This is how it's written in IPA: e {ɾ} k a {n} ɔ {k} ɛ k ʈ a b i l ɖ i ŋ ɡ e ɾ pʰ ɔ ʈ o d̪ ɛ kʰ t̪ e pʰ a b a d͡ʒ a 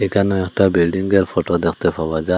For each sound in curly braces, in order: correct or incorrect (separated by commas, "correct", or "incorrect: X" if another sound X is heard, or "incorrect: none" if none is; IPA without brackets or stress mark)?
incorrect: none, correct, incorrect: none